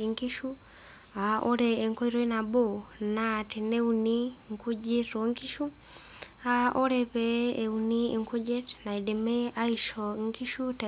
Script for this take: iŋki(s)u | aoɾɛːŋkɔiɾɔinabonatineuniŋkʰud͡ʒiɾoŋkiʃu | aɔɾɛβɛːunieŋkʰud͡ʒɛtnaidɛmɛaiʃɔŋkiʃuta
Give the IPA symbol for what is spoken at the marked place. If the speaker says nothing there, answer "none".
ʃ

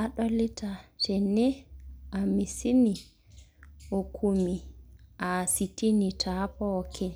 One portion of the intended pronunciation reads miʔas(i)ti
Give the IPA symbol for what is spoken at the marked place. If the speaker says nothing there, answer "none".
i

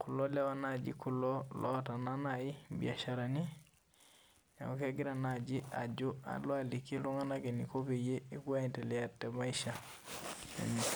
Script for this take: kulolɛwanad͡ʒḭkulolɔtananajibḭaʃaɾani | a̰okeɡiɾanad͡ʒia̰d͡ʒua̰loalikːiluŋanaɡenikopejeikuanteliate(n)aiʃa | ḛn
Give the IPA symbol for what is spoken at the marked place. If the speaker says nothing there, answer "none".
m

